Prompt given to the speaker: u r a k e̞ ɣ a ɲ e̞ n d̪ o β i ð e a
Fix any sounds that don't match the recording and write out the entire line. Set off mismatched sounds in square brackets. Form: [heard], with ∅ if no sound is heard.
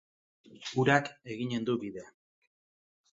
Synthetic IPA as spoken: u [ɾ] a k e̞ ɣ [i] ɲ e̞ n d̪ [u] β i ð e a

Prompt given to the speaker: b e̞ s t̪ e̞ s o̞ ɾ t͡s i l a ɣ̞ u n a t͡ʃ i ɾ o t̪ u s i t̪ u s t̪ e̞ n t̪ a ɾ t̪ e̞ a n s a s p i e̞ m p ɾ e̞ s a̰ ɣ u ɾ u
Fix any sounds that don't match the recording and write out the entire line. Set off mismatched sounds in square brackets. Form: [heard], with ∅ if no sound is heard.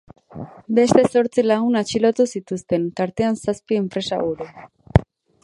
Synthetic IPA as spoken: b e̞ s t̪ e̞ s o̞ ɾ t͡s i l a ɣ̞ u n a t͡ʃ i [l] o t̪ u s i t̪ u s t̪ e̞ n t̪ a ɾ t̪ e̞ a n s a s p i e̞ m p ɾ e̞ s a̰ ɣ u ɾ u

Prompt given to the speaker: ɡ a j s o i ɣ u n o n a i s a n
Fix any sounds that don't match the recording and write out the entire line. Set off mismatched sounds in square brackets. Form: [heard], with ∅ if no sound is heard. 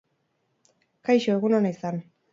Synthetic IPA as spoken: [k] a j [ʃ] o [e] ɣ u n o n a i s a n

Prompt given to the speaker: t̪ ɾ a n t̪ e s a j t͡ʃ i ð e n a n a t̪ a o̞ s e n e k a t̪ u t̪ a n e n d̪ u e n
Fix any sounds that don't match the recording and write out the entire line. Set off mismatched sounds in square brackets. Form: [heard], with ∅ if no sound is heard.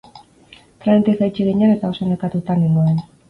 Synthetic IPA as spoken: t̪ ɾ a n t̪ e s a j t͡ʃ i [ɣ] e [ɲ] a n [e] t̪ a o̞ s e n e k a t̪ u t̪ a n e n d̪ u e n

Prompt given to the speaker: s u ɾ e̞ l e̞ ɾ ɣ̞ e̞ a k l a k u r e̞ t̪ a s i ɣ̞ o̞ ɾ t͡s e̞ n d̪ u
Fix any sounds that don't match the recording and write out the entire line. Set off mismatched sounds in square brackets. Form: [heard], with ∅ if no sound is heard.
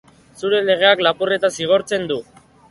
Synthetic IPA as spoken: s u ɾ e̞ l e̞ [∅] ɣ̞ e̞ a k l a [p] u r e̞ t̪ a s i ɣ̞ o̞ ɾ t͡s e̞ n d̪ u

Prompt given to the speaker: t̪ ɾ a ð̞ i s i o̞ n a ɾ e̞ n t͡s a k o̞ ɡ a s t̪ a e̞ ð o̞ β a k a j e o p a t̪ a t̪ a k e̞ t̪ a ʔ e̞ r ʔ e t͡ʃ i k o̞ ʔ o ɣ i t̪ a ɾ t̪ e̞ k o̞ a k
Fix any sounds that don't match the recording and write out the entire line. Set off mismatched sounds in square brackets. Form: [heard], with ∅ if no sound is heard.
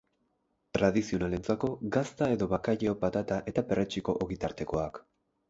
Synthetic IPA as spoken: t̪ ɾ a ð̞ i s i o̞ n a [l] e̞ n t͡s a k o̞ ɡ a s t̪ a e̞ ð o̞ β a k a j e o p a t̪ a t̪ a [ʔ] e̞ t̪ a [p] e̞ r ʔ e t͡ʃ i k o̞ ʔ o ɣ i t̪ a ɾ t̪ e̞ k o̞ a k

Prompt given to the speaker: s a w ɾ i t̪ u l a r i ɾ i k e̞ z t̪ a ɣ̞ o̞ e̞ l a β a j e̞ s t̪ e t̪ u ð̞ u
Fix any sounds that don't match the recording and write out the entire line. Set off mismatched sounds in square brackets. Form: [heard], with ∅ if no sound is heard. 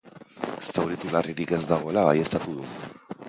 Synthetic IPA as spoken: s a w ɾ i t̪ u l a r i ɾ i k e̞ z [d̪] a ɣ̞ o̞ e̞ l a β a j e̞ s t̪ [a] t̪ u ð̞ u

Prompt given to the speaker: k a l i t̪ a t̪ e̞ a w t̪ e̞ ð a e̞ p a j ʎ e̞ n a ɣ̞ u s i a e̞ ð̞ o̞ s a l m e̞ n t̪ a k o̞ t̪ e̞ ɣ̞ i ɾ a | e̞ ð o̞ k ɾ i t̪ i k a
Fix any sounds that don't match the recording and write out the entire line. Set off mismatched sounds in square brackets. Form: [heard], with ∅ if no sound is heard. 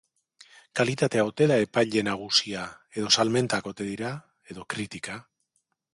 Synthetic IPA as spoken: k a l i t̪ a t̪ e̞ a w t̪ e̞ ð a e̞ p a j ʎ e̞ n a ɣ̞ u s i a e̞ ð̞ o̞ s a l m e̞ n t̪ a k o̞ t̪ e̞ [ð̞] i ɾ a | e̞ ð o̞ k ɾ i t̪ i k a

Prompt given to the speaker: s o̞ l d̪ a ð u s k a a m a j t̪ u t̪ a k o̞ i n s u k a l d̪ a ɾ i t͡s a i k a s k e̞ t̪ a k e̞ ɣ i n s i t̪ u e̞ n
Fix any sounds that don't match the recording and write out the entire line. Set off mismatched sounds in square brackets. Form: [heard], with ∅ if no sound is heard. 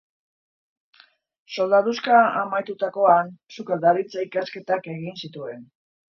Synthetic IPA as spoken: s o̞ l d̪ a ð u s k a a m a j t̪ u t̪ a k o̞ [a] n s u k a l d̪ a ɾ i t͡s a i k a s k e̞ t̪ a k e̞ ɣ i n s i t̪ u e̞ n

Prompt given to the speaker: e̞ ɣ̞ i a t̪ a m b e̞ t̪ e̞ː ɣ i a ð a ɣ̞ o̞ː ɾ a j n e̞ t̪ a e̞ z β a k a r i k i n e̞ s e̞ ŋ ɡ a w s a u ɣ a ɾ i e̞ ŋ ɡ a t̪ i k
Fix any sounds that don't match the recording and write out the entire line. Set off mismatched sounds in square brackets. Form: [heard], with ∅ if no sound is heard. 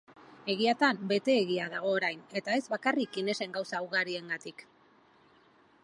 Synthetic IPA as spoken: e̞ ɣ̞ i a t̪ a m b e̞ t̪ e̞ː ɣ i a ð a ɣ̞ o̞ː ɾ a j n e̞ t̪ a e̞ z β a k a r i k i n e̞ s e̞ ŋ ɡ a w s a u ɣ a ɾ i e̞ ŋ ɡ a t̪ i k

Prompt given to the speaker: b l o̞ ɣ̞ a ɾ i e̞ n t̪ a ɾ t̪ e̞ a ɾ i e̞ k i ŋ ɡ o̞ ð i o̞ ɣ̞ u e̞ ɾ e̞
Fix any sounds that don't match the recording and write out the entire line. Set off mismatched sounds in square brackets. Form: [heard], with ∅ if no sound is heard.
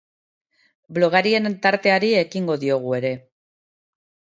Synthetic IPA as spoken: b l o̞ ɣ̞ a ɾ i e̞ n t̪ a ɾ t̪ e̞ a ɾ i e̞ k i ŋ ɡ o̞ ð i o̞ ɣ̞ u e̞ ɾ e̞

